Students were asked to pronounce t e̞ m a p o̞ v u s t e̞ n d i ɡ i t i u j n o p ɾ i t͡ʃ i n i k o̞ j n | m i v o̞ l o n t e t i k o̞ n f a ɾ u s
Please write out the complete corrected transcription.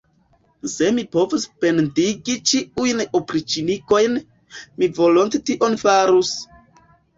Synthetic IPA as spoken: s e̞ m i p o̞ v u s p e̞ n d i ɡ i t͡ʃ i u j n o p ɾ i t͡ʃ i n i k o̞ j n | m i v o̞ l o n t e t i ʔ o̞ n f a ɾ u s